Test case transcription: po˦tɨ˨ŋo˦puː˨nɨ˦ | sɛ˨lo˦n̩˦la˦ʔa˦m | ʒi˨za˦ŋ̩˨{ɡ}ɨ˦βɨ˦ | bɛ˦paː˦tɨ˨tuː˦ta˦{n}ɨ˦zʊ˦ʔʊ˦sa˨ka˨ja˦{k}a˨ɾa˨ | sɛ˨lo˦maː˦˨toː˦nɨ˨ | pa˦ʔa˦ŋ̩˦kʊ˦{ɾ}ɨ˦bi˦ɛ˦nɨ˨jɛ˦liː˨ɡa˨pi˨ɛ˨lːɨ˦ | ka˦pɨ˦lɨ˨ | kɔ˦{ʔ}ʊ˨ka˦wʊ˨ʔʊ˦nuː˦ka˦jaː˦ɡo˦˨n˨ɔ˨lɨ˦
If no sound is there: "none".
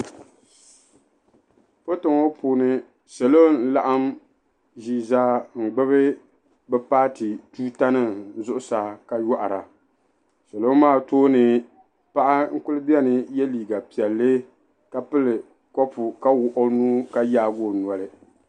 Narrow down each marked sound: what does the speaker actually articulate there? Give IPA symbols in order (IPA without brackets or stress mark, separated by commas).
ɡ͡b, n, ʔ, l, p